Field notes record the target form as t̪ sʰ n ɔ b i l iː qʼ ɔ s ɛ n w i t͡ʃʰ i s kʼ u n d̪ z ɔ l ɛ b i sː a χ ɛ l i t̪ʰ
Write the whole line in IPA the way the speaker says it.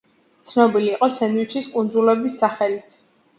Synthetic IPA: t̪ sʰ n ɔ b i l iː qʼ ɔ s ɛ n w i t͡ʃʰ i s kʼ u n d̪ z u l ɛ b i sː a χ ɛ l i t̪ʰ